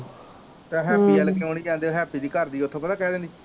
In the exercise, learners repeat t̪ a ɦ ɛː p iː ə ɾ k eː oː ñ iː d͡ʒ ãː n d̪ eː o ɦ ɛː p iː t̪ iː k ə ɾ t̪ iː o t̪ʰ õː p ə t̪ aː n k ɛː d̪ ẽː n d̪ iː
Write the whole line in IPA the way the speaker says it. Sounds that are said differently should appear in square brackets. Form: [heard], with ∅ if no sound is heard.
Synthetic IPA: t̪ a ɦ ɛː p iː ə [l] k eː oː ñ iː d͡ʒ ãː n d̪ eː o ɦ ɛː p iː [d̪] iː k ə ɾ [d̪] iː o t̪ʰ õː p ə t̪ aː [∅] k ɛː d̪ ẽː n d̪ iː